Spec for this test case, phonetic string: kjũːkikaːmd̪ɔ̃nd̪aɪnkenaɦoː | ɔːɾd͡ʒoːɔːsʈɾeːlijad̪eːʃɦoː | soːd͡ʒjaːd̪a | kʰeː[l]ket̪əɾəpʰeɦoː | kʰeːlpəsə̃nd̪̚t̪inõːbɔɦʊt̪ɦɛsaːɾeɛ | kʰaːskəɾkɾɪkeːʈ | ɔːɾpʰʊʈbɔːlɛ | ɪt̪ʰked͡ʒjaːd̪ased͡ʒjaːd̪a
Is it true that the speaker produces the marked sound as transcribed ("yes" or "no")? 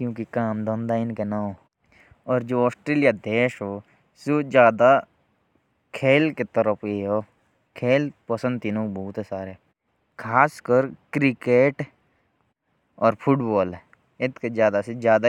yes